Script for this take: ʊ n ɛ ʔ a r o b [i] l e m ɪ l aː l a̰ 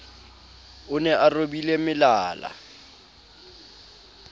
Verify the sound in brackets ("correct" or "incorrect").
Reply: correct